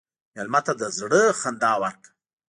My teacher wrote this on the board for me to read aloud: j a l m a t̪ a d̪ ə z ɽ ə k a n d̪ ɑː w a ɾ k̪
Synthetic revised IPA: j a l m a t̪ a d̪ ə z ɽ ə x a n d̪ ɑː w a ɾ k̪